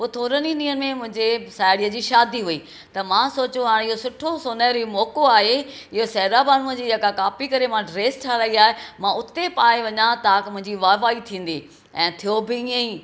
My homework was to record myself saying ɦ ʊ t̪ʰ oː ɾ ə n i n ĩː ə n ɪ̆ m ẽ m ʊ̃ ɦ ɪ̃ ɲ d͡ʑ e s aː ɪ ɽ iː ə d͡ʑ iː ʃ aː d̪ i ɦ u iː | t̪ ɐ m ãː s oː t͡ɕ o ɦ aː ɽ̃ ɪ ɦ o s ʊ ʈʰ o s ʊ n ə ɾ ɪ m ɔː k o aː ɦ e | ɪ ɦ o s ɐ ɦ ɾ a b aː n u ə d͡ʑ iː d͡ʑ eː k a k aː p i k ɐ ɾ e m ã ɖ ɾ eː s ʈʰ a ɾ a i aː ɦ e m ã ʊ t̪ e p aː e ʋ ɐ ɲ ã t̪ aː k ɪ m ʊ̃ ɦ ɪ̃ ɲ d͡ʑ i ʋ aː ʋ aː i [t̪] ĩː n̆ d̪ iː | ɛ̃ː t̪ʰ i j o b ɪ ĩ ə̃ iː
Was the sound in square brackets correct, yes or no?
no